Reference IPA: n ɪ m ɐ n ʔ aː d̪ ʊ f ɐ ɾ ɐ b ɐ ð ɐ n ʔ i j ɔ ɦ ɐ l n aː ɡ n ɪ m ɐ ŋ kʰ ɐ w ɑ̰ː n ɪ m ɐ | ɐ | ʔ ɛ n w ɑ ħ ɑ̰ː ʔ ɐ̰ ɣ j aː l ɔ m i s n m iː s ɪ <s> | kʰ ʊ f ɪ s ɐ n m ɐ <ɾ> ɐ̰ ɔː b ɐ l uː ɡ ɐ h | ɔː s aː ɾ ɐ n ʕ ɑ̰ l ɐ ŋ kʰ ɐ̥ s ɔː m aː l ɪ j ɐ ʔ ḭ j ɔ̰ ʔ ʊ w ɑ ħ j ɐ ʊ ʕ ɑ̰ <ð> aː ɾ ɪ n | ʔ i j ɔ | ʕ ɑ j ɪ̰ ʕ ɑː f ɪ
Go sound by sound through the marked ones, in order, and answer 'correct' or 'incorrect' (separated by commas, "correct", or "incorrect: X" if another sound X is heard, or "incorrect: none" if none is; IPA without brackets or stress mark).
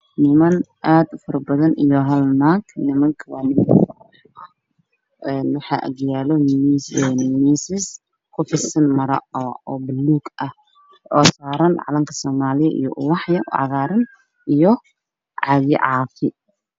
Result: correct, correct, incorrect: ɣ